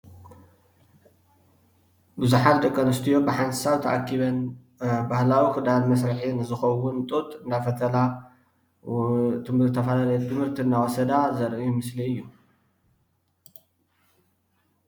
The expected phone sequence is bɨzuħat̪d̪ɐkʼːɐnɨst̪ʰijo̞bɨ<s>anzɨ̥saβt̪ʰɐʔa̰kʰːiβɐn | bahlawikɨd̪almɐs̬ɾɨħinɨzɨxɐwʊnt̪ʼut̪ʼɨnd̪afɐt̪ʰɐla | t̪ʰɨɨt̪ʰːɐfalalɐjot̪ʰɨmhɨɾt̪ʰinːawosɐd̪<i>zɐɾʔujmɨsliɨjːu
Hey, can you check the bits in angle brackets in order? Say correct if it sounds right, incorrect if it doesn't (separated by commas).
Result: incorrect, incorrect